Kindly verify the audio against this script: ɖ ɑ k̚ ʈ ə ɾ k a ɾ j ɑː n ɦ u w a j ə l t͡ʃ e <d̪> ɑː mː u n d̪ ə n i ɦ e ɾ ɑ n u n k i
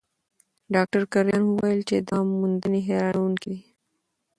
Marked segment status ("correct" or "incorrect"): correct